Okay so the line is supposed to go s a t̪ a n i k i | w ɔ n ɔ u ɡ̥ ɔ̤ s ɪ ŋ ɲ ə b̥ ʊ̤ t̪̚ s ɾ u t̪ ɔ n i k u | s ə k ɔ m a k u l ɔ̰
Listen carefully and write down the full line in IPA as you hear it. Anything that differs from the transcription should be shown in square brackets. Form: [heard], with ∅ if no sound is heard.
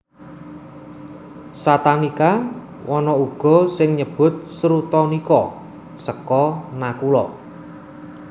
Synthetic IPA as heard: s a t̪ a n i k [a] | w ɔ n ɔ u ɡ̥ ɔ̤ s ɪ ŋ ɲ ə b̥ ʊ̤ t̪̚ s ɾ u t̪ ɔ n i k [ɔ] | s ə k ɔ [n] a k u l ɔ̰